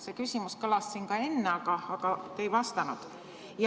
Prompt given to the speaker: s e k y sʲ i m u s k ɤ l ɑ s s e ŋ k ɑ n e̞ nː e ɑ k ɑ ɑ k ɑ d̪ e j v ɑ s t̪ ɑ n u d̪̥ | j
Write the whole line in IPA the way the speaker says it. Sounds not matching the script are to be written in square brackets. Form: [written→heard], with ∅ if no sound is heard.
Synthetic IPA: s e k y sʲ i m u s k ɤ l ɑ s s [e→i] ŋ k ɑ [n→∅] e̞ nː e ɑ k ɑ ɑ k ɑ [d̪→t̪] e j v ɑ s t̪ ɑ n u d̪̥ | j